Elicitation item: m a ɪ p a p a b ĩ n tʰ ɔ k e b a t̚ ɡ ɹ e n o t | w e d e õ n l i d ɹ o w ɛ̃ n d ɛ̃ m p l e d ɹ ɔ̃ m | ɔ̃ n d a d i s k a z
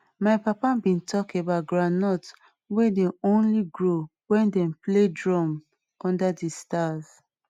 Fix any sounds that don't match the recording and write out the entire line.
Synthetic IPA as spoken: m a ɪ p a p a b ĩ n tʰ ɔ k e b a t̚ ɡ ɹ a n ɔ t | w e d e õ n l i ɡ ɹ o w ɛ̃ n d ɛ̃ m p l e d ɹ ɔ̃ m | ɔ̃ n d a d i s t a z

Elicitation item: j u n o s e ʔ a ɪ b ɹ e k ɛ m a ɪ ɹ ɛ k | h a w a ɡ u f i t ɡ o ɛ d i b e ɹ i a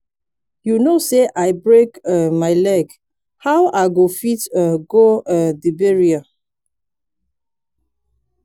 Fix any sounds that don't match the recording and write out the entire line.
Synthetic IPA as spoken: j u n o s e ʔ a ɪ b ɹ e k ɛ m a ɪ l ɛ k | h a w a ɡ o f i t ɡ o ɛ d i b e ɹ i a

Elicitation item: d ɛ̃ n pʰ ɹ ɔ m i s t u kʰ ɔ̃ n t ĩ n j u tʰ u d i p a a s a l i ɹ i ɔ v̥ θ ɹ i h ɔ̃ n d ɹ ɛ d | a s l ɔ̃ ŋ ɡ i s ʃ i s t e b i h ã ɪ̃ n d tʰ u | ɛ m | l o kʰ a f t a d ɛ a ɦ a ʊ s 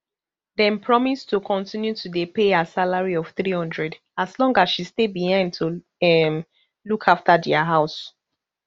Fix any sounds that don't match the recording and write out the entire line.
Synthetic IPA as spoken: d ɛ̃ n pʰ ɹ ɔ m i s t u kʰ ɔ̃ n t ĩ n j u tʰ u d e p e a s a l a ɹ i ɔ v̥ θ ɹ i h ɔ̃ n d ɹ ɛ d | a s l ɔ̃ ŋ ɡ a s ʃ i s t e b i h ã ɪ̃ n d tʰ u | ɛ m | l u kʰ a f t a d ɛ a ɦ a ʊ s

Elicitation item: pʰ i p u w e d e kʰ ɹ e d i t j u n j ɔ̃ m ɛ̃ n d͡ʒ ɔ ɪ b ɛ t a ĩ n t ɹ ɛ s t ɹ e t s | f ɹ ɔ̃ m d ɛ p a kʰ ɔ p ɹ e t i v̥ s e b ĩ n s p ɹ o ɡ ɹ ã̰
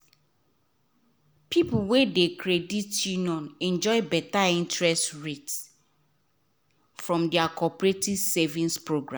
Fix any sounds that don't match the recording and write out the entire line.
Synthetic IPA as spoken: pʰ i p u w e d e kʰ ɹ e d i t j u n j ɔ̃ n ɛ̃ n d͡ʒ ɔ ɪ b ɛ t a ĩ n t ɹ ɛ s t ɹ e t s | f ɹ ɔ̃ m d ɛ a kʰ ɔ p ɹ e t i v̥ s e v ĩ n s p ɹ o ɡ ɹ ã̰

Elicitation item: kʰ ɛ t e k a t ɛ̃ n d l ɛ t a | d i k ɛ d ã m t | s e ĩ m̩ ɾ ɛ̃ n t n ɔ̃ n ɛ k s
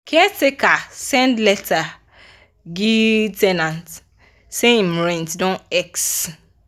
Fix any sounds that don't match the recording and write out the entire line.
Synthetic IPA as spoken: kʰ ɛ t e k a s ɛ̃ n d l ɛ t a | ɡ i t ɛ n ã n t | s e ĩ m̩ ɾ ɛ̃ n t d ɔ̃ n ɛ k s

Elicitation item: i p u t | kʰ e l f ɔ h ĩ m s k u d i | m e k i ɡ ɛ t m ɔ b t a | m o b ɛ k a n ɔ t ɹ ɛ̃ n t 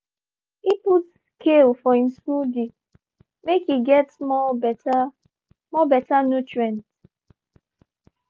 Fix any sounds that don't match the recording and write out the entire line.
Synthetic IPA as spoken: i p u t | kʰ e l f ɔ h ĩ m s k u d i | m e k i ɡ ɛ t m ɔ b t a | m ɔ b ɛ t a n u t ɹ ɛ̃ n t

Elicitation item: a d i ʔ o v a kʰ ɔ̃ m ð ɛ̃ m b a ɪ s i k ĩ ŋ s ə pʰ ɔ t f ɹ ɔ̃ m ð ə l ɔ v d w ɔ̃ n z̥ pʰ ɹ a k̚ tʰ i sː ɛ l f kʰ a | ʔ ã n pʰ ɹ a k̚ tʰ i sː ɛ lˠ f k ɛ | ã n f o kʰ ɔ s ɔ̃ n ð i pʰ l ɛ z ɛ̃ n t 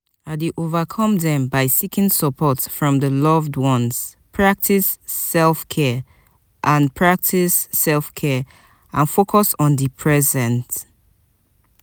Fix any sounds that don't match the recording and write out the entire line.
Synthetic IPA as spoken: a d i ʔ o v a kʰ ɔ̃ m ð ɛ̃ m b a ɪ s i k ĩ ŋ s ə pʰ ɔ t f ɹ ɔ̃ m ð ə l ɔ v d w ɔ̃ n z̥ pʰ ɹ a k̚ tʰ i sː ɛ l f kʰ ɛ | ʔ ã n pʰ ɹ a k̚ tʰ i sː ɛ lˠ f kʰ ɛ | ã n f o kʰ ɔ s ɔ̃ n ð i pʰ ɹ ɛ z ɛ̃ n t

